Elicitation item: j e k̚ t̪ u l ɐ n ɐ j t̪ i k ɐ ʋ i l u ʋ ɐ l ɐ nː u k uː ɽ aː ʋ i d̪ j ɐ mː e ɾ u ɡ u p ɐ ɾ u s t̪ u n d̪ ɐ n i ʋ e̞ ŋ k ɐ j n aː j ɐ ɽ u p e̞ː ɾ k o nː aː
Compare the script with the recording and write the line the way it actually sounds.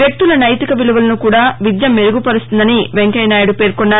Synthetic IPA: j e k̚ t̪ u l ɐ n ɐ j t̪ i k ɐ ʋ i l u ʋ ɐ l ɐ n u k uː ɽ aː ʋ i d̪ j ɐ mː e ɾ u ɡ u p ɐ ɾ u s t̪ u n d̪ ɐ n i ʋ e̞ ŋ k ɐ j n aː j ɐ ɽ u p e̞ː ɾ k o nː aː